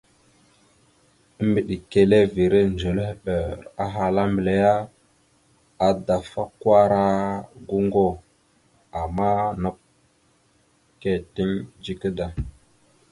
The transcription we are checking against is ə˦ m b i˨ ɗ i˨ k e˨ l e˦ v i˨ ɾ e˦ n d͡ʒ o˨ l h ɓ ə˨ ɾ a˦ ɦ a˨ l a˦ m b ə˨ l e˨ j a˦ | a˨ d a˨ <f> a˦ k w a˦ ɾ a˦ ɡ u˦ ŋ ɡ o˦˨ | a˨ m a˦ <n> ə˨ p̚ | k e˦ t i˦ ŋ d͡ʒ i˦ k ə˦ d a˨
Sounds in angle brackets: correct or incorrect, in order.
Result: correct, correct

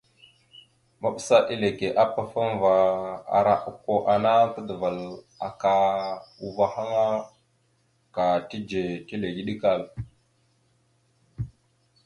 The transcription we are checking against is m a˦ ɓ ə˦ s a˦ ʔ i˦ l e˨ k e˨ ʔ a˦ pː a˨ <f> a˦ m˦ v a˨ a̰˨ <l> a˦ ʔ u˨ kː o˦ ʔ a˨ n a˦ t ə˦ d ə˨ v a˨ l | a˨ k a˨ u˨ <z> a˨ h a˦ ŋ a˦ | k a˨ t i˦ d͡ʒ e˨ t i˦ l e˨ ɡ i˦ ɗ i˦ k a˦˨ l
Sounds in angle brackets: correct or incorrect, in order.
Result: correct, incorrect: ɾ, incorrect: v

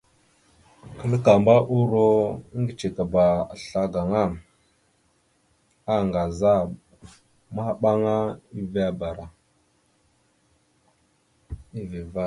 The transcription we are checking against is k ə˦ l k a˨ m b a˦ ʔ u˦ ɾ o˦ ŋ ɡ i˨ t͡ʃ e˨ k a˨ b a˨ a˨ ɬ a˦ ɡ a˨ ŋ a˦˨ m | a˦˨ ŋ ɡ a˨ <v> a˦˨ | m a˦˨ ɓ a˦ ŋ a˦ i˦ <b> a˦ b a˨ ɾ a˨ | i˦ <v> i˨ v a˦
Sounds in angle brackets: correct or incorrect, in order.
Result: incorrect: z, incorrect: v, correct

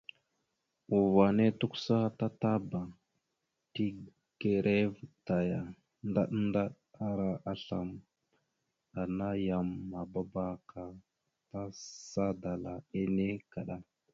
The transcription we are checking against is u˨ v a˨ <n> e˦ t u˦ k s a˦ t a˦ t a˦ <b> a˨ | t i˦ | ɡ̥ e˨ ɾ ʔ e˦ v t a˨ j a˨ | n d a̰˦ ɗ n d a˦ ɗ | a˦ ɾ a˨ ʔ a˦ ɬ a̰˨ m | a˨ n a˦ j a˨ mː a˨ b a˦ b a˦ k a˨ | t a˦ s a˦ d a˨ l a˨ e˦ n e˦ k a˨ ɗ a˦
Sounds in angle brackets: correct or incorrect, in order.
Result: correct, correct

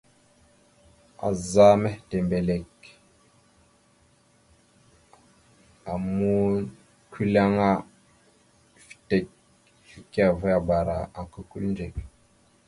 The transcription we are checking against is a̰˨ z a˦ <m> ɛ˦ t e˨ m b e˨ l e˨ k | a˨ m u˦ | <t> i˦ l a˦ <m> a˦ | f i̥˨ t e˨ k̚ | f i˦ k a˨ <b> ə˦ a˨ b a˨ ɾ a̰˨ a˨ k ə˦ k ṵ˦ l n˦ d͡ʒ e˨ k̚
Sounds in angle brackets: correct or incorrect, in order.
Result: correct, incorrect: k, incorrect: ŋ, incorrect: v

